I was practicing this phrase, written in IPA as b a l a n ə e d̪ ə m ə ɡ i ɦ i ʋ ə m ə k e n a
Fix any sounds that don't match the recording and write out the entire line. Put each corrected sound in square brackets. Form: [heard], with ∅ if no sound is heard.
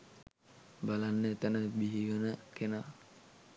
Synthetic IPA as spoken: b a l a [nː] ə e [t̪] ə [n] ə [b] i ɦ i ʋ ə [n] ə k e n a